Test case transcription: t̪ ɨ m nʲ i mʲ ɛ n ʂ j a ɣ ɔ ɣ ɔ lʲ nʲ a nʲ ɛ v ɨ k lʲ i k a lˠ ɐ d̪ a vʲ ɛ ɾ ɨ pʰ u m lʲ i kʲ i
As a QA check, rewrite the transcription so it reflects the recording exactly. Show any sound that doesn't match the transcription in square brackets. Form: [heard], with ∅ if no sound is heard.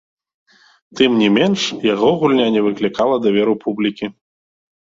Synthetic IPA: t̪ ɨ m nʲ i mʲ ɛ n ʂ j a ɣ ɔ ɣ [u] lʲ nʲ a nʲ ɛ v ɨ k lʲ i k a lˠ ɐ d̪ a vʲ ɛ ɾ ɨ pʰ u [b] lʲ i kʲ i